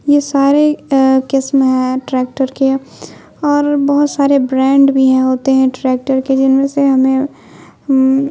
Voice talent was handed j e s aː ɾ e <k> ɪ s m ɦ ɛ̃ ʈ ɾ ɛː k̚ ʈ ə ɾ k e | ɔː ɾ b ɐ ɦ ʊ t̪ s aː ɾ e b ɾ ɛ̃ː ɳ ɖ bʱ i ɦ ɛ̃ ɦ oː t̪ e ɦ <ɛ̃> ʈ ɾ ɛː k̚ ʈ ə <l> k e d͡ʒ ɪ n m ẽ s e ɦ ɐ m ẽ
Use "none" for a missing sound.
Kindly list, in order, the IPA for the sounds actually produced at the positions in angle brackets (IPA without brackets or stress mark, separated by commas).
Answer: k, ɛ̃, ɾ